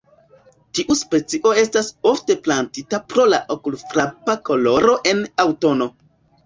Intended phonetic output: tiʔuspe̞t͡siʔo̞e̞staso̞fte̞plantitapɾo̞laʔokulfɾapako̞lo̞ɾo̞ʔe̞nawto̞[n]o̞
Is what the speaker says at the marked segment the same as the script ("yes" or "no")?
yes